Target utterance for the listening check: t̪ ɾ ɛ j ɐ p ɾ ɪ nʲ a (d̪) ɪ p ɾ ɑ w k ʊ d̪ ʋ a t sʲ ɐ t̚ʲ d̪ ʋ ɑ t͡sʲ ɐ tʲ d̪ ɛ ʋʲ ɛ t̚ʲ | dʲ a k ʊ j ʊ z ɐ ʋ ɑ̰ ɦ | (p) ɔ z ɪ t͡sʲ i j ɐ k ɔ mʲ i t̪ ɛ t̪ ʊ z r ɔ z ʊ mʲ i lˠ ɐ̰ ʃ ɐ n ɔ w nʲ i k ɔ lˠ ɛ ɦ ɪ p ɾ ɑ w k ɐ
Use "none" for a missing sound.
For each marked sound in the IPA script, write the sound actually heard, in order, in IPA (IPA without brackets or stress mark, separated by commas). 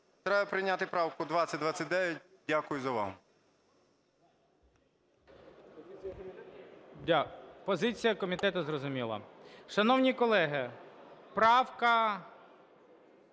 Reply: t̪, p